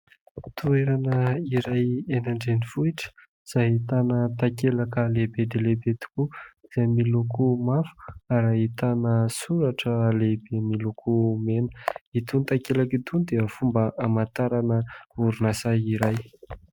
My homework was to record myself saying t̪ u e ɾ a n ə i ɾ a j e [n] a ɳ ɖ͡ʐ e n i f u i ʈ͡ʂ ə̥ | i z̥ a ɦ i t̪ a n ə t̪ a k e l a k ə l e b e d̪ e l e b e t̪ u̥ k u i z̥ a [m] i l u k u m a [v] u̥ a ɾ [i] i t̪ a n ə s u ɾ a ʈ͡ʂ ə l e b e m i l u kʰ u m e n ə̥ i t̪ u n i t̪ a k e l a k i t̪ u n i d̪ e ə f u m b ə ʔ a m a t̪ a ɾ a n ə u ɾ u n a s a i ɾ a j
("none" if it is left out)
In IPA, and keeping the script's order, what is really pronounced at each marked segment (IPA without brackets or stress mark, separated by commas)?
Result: n, m, f, a